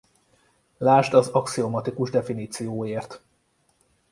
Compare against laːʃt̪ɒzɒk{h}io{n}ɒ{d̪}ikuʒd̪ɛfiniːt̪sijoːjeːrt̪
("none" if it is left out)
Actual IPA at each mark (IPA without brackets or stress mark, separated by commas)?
s, m, t̪